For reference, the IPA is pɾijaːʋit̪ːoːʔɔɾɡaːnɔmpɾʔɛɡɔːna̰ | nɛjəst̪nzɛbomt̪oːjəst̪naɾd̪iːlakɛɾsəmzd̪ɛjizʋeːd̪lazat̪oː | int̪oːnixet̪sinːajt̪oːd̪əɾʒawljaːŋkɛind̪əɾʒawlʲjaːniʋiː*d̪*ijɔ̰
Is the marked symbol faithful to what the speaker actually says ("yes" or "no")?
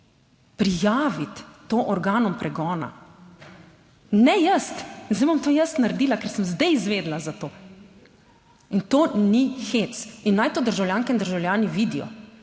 yes